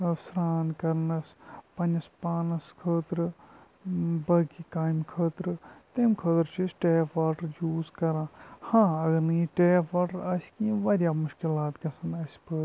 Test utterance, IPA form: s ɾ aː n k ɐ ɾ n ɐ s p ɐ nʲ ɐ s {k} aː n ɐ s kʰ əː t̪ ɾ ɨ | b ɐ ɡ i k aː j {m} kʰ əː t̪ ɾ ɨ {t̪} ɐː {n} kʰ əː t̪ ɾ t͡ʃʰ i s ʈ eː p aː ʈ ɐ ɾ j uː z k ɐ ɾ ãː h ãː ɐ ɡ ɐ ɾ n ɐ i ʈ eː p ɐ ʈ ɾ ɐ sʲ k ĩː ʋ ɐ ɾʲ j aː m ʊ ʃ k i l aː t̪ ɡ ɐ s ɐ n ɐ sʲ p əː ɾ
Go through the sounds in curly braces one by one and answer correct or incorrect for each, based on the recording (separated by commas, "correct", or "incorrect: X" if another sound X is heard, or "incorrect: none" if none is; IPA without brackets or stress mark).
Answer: incorrect: p, correct, correct, incorrect: m